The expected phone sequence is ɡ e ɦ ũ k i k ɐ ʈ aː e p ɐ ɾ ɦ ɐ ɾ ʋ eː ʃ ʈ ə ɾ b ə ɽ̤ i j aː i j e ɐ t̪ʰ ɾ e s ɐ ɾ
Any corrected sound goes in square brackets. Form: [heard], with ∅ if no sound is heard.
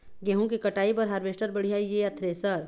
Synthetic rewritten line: ɡ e ɦ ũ k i k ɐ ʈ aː [i] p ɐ ɾ ɦ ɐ ɾ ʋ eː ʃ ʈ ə ɾ b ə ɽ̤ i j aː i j e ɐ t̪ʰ ɾ e s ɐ ɾ